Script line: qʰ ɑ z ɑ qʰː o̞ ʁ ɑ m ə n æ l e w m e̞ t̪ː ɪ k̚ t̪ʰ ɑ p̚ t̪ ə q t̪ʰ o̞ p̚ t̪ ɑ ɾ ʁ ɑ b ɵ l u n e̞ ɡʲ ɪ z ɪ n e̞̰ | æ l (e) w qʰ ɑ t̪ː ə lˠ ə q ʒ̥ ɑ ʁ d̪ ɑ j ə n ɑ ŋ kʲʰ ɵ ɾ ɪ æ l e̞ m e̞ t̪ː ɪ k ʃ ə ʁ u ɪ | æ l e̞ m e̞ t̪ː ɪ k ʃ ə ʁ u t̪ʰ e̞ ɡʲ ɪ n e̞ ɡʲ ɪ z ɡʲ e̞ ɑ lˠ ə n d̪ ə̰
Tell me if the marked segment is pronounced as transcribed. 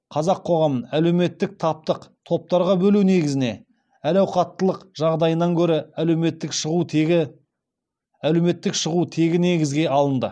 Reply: no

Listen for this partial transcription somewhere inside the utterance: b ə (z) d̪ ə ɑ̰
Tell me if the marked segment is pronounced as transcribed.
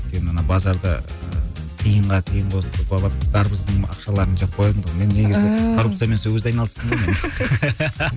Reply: yes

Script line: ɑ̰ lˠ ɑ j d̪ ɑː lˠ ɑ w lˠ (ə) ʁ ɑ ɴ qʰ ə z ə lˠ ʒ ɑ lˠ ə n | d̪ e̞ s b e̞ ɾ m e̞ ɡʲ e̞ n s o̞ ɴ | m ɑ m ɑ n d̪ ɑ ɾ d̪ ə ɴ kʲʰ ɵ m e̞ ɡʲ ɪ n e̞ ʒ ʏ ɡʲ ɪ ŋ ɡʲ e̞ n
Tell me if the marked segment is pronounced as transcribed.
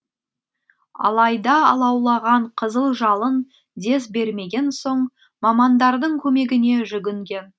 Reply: no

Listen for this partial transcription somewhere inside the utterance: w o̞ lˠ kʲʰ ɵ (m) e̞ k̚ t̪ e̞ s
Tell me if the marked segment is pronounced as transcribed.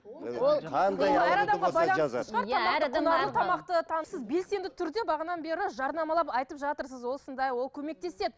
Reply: yes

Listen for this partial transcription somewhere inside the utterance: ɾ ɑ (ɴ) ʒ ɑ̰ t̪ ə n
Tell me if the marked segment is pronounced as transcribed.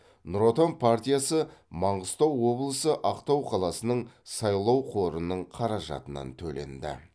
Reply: no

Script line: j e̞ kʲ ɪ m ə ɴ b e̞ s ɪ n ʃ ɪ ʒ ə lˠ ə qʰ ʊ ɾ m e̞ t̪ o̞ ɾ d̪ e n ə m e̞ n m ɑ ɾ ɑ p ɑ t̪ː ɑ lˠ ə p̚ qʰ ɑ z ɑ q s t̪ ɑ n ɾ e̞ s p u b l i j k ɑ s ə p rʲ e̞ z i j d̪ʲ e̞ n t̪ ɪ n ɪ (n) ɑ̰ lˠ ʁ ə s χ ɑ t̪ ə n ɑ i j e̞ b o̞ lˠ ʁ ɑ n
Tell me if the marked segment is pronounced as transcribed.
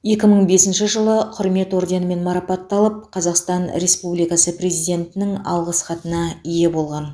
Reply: no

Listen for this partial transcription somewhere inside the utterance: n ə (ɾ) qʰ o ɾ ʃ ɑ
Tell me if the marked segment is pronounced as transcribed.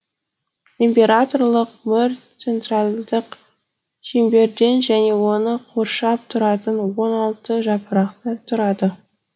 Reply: no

